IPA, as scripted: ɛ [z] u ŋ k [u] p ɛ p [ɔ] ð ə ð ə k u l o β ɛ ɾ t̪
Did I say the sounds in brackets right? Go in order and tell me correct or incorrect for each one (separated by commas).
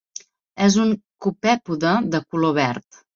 correct, correct, incorrect